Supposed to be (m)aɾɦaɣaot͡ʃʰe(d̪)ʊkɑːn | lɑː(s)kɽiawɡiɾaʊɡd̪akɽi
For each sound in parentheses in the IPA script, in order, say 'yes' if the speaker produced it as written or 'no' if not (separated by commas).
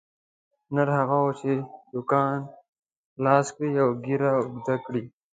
no, yes, yes